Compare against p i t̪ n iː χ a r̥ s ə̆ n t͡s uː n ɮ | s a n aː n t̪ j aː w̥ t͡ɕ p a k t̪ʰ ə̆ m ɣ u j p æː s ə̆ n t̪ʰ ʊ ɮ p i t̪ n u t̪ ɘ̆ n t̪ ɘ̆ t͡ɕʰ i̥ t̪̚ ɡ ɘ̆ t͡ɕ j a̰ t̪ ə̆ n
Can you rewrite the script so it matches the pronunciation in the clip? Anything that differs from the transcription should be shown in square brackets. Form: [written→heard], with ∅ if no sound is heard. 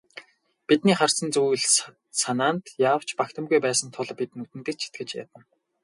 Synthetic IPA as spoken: p i t̪ n iː χ a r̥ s ə̆ n t͡s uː [n→∅] ɮ | s a n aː n t̪ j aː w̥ t͡ɕ p a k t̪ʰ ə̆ m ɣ u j p æː s ə̆ n t̪ʰ ʊ ɮ p i t̪ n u t̪ ɘ̆ n t̪ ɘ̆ t͡ɕʰ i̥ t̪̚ ɡ ɘ̆ t͡ɕ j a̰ t̪ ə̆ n